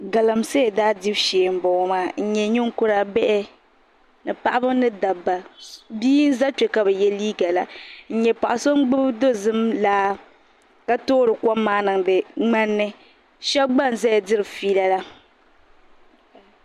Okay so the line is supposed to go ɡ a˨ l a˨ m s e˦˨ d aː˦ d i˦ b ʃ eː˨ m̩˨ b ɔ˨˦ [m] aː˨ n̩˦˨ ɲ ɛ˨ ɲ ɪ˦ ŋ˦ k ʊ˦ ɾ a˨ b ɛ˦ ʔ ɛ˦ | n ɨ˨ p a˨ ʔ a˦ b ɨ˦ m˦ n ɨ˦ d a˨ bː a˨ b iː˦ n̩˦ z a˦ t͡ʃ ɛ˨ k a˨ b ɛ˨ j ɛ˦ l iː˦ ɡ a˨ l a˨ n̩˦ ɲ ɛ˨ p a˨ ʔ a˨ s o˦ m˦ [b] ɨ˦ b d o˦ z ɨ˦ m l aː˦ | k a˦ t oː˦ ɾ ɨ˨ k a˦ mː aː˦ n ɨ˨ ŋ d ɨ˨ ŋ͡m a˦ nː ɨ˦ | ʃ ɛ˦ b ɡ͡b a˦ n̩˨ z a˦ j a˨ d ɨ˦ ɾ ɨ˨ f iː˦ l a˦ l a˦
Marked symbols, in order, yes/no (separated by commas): yes, no